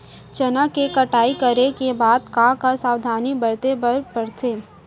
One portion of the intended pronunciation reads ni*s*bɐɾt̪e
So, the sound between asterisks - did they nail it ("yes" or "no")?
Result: no